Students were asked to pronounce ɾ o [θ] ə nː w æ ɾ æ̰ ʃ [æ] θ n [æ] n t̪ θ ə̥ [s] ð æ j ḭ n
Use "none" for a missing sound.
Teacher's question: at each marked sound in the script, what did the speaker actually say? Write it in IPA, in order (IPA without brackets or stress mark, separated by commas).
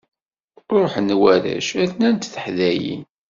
ħ, æ, æ, ħ